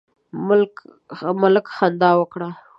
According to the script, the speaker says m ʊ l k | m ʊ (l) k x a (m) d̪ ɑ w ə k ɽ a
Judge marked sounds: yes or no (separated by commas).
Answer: yes, no